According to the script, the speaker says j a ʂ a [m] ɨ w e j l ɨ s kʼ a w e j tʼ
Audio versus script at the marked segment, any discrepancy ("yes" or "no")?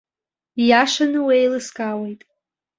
yes